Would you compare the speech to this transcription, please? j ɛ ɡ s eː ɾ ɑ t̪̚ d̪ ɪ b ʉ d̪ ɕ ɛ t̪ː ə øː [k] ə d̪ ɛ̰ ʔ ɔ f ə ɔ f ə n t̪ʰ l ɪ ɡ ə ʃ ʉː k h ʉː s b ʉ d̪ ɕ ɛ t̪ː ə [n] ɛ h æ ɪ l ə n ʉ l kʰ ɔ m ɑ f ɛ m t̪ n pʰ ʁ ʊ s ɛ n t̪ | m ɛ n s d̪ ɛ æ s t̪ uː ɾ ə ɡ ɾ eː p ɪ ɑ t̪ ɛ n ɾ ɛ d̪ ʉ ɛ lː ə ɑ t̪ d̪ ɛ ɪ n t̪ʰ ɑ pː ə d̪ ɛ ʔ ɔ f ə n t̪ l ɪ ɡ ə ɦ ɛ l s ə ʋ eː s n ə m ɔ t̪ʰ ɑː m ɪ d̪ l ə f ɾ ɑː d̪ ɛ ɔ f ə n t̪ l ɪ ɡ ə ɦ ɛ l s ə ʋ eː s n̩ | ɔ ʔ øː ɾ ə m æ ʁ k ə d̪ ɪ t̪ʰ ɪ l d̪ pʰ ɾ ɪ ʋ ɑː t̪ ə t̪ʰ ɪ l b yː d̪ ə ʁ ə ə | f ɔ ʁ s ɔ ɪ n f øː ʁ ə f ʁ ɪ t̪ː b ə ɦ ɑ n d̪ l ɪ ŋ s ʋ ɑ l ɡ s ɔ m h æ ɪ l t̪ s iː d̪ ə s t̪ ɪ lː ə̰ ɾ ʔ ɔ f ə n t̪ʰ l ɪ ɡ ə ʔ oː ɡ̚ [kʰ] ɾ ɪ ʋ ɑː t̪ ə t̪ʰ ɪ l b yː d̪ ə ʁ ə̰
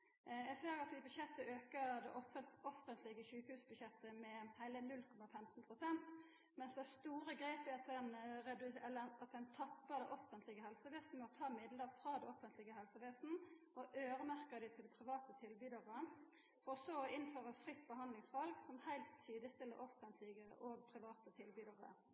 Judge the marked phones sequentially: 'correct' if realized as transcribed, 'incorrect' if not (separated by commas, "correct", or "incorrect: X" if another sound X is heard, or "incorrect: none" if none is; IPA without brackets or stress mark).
correct, incorrect: m, incorrect: pʰ